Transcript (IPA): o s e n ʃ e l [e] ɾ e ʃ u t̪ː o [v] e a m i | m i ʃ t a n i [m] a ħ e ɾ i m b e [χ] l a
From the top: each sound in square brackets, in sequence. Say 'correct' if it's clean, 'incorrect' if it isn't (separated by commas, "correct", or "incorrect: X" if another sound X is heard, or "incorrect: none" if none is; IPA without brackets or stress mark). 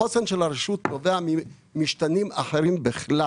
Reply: incorrect: a, correct, correct, correct